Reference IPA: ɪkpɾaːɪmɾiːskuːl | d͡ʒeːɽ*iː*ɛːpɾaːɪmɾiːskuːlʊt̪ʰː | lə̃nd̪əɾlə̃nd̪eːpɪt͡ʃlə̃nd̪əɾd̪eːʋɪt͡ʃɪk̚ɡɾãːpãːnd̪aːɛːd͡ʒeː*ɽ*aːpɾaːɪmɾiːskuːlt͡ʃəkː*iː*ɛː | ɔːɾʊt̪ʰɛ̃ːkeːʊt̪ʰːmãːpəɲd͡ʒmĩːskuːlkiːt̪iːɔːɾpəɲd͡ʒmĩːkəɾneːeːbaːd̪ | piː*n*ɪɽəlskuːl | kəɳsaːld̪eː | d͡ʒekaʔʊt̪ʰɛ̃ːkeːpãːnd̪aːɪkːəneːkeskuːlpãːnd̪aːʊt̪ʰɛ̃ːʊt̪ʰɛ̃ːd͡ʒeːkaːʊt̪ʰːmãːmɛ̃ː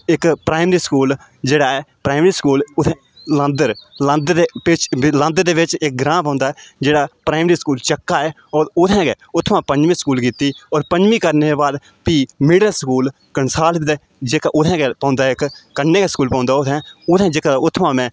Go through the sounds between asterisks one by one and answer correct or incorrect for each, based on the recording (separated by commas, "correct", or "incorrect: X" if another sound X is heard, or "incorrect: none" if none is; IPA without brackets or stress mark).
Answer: incorrect: aː, correct, incorrect: aː, incorrect: m